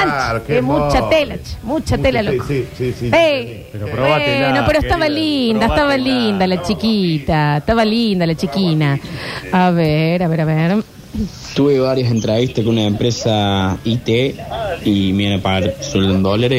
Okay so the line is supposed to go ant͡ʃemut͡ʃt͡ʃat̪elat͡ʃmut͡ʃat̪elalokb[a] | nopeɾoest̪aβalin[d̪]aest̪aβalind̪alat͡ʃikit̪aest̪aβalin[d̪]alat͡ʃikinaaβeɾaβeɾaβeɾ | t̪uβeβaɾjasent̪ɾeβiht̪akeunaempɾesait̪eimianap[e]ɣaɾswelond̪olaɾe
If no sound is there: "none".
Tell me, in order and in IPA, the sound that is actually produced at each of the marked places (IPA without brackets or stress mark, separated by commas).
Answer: e, d̪, d̪, a